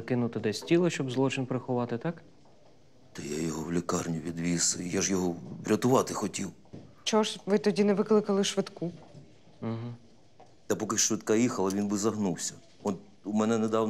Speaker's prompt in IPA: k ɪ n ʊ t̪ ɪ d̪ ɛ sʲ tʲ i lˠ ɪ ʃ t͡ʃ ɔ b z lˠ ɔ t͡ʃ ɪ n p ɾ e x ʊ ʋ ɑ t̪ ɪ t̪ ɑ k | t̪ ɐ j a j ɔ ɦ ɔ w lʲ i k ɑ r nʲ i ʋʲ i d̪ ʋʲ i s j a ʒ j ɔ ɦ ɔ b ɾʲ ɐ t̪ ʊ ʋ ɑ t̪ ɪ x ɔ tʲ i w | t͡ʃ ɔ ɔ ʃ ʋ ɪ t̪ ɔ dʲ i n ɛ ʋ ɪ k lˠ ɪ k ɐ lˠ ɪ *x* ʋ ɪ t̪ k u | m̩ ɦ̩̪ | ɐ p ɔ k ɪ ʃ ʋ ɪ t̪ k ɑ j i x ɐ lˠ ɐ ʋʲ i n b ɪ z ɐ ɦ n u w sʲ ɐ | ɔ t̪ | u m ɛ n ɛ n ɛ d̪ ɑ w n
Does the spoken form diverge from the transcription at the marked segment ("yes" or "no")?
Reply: yes